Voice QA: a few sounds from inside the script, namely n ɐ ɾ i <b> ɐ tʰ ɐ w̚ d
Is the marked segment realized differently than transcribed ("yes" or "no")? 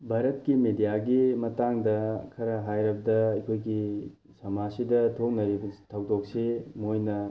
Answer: no